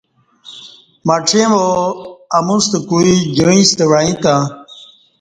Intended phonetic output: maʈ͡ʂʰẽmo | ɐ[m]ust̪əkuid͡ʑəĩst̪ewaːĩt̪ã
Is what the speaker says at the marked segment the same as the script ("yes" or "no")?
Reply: yes